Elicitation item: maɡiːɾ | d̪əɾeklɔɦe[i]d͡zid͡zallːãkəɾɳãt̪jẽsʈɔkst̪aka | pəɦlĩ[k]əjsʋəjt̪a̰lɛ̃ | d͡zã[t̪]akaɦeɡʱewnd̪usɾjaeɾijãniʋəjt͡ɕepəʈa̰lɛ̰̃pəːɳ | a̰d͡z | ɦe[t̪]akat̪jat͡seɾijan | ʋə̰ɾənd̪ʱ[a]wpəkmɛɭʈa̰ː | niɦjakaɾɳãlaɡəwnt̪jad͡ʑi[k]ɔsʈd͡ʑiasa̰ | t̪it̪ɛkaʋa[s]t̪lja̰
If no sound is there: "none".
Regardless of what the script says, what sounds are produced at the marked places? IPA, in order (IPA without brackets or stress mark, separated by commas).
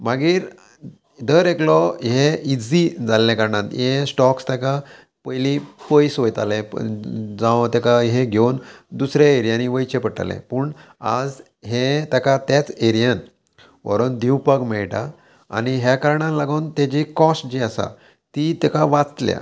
i, p, t̪, t̪, i, k, t͡s